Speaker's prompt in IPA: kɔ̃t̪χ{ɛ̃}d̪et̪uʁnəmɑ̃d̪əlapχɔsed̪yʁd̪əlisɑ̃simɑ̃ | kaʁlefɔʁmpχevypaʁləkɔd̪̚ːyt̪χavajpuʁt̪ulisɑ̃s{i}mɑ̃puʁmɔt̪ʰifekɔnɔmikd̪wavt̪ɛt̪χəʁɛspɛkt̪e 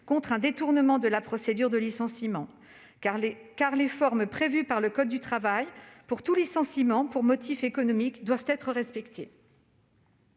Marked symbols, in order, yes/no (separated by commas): yes, yes